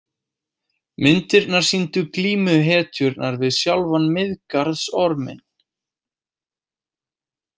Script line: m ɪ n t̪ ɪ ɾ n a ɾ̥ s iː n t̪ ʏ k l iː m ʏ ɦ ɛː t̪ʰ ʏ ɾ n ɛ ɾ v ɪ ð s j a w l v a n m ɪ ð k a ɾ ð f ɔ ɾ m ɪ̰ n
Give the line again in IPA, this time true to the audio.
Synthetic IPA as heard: m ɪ n t̪ ɪ ɾ n a ɾ̥ s i n t̪ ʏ k l iː m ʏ ɦ ɛː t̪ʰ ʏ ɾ n a ɾ v ɪ ð s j a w l v a n m ɪ ð k a ɾ ð s ɔ ɾ m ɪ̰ n